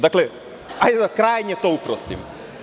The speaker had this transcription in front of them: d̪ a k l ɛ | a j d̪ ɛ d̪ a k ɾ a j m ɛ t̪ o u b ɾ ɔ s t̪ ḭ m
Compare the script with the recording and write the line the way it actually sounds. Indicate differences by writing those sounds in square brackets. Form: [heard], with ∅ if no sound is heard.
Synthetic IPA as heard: d̪ a k l ɛ | a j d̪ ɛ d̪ a k ɾ a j [ɲ] ɛ t̪ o u [p] ɾ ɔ s t̪ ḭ m